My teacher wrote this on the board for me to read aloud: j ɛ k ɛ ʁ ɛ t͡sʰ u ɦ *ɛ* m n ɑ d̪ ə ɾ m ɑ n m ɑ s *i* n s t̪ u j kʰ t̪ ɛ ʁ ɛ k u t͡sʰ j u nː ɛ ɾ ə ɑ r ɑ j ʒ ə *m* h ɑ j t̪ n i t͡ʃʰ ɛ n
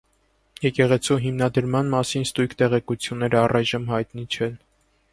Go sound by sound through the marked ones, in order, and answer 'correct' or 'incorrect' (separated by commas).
incorrect, correct, correct